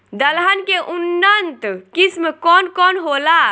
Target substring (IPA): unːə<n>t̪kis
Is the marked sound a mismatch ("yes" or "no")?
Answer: no